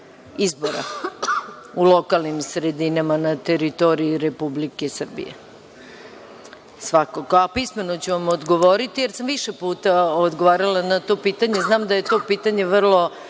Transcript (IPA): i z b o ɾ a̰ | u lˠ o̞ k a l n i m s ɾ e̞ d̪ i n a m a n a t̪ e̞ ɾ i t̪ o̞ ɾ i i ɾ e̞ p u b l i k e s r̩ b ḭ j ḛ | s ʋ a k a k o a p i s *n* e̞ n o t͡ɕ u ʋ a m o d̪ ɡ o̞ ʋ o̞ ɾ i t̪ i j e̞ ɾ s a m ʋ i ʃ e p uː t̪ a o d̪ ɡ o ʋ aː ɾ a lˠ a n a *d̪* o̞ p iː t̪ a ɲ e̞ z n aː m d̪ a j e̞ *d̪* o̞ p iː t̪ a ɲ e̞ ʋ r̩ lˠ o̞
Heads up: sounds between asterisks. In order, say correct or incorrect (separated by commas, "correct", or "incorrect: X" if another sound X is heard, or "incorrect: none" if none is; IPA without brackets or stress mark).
incorrect: m, incorrect: t̪, incorrect: t̪